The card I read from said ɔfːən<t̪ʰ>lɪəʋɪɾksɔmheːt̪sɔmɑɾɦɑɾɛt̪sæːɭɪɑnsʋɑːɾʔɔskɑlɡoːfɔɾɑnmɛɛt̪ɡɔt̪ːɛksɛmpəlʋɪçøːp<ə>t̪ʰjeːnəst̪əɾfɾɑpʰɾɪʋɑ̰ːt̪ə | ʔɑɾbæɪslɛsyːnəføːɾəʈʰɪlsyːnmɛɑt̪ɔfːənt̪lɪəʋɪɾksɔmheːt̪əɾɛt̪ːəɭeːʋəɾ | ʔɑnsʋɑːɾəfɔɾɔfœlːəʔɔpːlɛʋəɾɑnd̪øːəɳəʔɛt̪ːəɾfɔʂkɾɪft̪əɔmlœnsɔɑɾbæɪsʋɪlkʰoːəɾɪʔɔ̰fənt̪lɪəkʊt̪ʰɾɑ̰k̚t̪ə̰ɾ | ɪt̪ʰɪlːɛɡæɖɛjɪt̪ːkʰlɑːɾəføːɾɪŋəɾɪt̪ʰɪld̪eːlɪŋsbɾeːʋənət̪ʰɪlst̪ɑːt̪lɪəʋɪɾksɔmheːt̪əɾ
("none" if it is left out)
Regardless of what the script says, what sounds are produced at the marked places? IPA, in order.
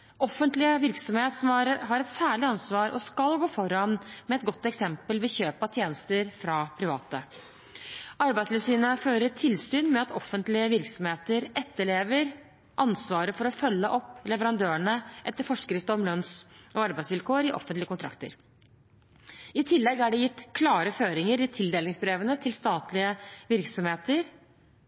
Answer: t̪, ɑ

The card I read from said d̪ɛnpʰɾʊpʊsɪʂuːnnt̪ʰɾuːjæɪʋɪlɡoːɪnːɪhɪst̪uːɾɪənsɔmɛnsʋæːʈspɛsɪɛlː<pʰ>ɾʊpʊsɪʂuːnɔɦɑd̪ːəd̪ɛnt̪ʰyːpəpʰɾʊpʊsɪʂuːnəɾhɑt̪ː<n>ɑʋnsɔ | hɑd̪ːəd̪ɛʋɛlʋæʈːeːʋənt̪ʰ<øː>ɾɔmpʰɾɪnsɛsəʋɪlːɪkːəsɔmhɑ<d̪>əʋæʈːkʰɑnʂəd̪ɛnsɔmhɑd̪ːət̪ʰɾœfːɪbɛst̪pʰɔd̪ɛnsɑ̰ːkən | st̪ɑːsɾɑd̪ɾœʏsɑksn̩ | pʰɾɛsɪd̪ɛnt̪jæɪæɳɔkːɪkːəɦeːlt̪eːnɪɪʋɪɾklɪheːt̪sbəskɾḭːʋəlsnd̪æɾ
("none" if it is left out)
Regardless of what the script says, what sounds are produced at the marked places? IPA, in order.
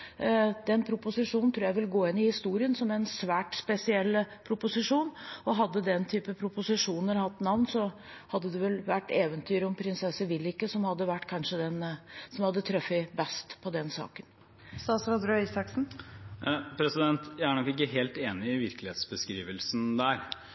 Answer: pʰ, n, yː, d̪ː

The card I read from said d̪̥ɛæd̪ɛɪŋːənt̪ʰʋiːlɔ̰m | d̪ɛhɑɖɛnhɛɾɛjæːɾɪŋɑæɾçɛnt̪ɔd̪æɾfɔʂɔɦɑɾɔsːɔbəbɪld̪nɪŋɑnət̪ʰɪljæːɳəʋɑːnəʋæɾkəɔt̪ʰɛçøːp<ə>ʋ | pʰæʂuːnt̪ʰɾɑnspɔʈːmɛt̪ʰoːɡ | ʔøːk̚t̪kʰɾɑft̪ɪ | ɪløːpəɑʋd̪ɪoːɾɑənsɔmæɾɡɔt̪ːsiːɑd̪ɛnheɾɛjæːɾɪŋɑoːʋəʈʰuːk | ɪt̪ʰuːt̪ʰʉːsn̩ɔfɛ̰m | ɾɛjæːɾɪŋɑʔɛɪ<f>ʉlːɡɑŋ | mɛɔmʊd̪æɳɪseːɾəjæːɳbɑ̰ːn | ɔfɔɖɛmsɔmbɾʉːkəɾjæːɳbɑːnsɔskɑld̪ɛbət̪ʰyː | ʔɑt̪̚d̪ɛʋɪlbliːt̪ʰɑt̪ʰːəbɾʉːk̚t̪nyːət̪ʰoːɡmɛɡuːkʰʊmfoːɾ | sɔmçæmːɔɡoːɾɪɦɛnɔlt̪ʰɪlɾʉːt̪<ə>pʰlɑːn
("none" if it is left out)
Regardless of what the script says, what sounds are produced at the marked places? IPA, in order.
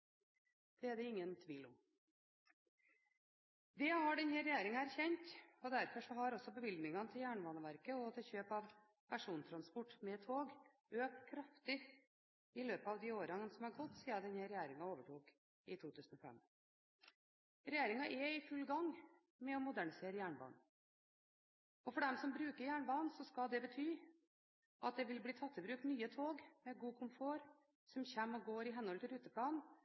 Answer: ɑ, f, ə

